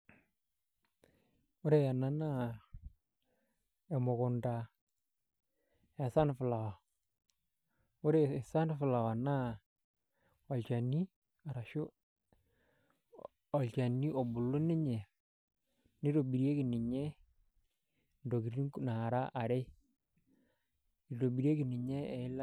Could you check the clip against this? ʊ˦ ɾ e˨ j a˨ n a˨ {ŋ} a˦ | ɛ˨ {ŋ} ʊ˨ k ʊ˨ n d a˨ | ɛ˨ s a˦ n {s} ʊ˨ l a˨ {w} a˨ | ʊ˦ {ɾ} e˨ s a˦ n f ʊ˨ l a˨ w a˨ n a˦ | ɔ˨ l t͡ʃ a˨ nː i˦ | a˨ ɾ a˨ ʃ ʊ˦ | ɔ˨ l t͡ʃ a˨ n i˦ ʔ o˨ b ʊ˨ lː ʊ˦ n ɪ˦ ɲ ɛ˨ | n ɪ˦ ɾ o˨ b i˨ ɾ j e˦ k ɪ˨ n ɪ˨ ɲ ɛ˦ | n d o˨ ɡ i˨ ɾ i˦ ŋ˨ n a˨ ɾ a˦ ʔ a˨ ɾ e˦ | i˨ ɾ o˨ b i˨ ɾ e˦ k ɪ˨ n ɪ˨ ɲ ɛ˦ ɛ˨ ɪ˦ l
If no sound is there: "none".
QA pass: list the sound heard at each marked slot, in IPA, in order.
n, m, f, w, ɾ

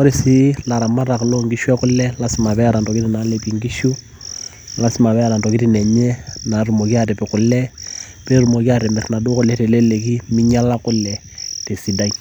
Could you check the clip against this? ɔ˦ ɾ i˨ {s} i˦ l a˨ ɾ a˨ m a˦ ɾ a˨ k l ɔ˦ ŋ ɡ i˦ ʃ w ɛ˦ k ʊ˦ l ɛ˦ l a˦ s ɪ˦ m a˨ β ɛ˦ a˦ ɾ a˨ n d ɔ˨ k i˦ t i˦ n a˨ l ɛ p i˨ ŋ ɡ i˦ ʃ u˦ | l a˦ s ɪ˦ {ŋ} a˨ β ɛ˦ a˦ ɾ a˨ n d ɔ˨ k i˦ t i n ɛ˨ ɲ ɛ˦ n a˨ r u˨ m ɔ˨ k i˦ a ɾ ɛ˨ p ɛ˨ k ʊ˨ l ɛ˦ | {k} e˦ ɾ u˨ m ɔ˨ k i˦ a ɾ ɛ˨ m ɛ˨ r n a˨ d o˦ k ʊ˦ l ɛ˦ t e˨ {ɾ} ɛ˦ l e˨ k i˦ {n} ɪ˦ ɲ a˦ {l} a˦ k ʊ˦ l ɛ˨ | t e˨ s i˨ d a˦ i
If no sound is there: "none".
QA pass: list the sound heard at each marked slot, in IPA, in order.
s, m, p, l, m, l

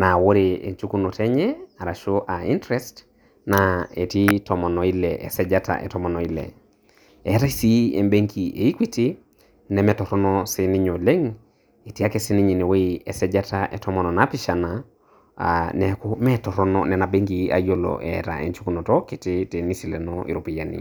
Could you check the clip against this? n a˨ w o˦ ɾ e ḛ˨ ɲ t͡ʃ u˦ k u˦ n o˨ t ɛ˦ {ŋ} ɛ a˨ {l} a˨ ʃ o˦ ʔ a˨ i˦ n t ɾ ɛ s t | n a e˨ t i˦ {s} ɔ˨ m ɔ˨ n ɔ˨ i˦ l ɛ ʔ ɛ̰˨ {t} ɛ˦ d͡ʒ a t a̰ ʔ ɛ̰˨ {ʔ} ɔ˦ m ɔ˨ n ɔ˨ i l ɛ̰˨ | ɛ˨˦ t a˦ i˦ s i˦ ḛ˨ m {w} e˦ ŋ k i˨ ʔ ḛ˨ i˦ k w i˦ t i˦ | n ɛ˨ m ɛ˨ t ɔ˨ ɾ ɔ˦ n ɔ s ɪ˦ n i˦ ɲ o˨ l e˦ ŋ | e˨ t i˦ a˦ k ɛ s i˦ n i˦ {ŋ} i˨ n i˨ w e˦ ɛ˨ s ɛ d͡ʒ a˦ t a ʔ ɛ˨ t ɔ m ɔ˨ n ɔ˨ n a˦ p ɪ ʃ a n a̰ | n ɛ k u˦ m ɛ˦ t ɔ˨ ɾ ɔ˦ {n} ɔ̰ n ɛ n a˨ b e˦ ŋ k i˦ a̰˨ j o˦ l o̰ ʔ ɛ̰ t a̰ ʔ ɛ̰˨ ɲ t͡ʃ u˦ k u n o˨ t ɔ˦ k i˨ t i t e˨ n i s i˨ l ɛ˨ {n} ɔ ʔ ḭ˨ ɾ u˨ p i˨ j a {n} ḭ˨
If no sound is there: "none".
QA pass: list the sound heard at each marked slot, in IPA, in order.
ɲ, ɾ, t, s, t, b, ɲ, n, n, n

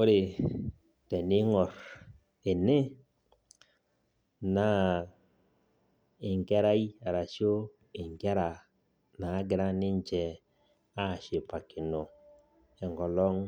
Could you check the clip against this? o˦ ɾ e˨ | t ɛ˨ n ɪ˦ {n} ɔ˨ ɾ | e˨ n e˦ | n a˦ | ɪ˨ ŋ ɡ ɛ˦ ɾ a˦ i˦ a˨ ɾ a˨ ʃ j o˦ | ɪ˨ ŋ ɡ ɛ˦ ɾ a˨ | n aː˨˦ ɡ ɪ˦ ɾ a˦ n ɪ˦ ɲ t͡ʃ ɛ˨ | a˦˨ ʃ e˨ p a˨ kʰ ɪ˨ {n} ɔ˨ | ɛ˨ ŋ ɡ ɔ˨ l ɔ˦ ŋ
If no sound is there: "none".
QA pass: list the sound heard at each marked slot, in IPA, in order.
ŋ, n

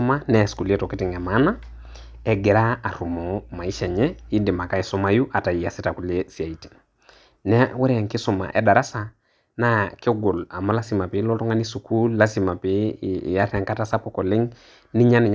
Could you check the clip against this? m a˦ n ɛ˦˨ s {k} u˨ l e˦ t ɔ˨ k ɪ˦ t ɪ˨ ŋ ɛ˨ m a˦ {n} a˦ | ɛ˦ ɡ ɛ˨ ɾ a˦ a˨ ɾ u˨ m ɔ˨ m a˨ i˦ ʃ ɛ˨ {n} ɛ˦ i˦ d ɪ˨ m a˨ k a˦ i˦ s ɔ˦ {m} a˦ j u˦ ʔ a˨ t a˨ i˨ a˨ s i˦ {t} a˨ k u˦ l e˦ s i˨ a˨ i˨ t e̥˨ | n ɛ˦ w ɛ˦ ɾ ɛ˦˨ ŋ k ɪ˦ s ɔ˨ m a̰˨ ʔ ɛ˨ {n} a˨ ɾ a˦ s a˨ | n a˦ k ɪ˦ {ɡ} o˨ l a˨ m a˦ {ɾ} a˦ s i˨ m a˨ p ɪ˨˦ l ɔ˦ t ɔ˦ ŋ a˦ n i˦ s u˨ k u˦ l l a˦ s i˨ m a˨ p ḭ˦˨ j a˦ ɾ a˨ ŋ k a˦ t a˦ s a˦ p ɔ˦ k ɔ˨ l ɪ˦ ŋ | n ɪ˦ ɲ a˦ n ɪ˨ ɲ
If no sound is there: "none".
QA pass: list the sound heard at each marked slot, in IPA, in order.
k, n, ɲ, m, t, d, ɡ, l

